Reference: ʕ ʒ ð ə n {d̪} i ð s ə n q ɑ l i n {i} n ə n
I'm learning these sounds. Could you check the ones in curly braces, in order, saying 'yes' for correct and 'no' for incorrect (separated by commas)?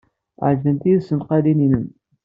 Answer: no, yes